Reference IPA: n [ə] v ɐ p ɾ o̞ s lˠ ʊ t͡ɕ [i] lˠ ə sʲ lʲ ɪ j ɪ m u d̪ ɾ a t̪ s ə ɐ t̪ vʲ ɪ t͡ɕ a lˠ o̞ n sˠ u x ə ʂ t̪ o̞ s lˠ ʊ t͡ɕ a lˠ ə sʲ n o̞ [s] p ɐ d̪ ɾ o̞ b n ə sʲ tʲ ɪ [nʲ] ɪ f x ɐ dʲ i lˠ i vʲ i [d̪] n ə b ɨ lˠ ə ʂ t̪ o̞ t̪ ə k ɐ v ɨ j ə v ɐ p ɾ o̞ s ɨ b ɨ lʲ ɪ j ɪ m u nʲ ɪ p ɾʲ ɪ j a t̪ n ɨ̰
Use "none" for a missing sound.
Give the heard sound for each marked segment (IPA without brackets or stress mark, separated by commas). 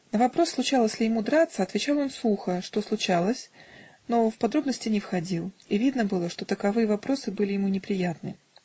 ə, a, f, nʲ, d̪